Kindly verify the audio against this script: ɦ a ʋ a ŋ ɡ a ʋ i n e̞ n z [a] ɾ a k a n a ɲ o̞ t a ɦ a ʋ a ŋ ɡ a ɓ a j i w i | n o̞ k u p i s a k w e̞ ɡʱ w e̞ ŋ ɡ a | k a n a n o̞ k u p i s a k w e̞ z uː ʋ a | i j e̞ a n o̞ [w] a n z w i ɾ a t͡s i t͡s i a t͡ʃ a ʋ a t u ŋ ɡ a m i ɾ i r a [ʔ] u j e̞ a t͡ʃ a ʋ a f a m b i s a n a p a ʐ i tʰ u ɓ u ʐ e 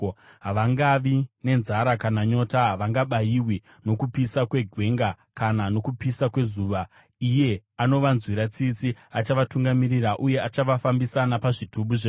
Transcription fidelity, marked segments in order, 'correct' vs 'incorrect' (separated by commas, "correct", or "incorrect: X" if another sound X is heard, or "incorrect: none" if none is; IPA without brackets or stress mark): correct, incorrect: ʋ, correct